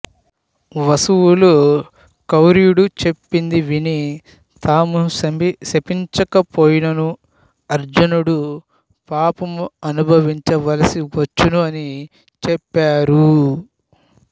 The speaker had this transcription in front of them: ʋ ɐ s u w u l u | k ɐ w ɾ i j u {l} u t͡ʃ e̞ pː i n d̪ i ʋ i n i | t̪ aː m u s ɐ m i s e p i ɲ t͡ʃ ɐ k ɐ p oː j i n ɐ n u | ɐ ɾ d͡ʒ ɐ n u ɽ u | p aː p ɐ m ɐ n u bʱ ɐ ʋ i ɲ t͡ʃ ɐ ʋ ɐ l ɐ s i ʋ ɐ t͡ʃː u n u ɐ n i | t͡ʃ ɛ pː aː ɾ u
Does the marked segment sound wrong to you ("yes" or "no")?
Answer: yes